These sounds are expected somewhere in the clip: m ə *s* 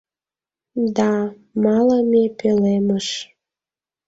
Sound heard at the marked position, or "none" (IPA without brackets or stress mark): ʃ